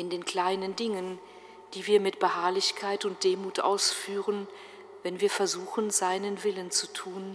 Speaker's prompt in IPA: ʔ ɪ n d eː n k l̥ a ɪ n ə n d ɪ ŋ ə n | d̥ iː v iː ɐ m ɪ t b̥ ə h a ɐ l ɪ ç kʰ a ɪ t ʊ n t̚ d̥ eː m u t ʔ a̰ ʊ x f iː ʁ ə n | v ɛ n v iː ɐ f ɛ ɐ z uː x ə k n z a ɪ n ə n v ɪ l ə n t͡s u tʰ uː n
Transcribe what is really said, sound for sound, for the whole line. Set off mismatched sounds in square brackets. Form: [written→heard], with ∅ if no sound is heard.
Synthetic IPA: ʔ ɪ n d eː n k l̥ a ɪ n ə n d ɪ ŋ ə n | d̥ iː v iː ɐ m ɪ t b̥ ə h a ɐ l ɪ ç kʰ a ɪ t ʊ n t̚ d̥ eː m [u→uː] t ʔ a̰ ʊ [x→s] f [iː→yː] ʁ ə n | v ɛ n v iː ɐ f ɛ ɐ z uː x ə [k→∅] n z a ɪ n ə n v ɪ l ə n t͡s u tʰ uː n